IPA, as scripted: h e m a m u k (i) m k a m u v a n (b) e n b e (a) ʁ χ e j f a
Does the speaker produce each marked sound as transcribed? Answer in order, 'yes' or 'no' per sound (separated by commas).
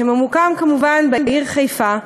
no, yes, no